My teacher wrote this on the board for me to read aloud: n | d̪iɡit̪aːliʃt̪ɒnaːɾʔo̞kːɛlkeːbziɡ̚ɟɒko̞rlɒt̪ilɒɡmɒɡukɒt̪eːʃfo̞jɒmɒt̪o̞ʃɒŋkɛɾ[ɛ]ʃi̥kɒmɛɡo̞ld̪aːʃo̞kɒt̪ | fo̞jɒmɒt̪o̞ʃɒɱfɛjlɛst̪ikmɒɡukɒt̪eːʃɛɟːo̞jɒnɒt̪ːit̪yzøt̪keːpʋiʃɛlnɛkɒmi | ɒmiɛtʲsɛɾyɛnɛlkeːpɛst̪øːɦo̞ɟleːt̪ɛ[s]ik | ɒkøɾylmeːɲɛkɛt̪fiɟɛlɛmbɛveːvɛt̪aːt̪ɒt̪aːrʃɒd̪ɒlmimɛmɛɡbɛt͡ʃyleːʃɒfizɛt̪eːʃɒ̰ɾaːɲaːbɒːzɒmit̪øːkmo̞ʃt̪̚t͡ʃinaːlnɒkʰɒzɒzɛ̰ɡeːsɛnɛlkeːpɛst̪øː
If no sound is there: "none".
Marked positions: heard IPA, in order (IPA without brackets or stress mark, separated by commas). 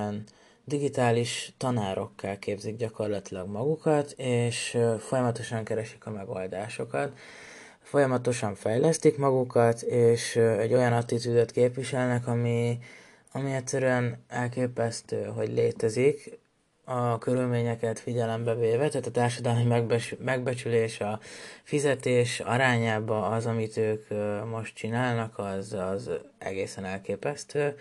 ɛ, z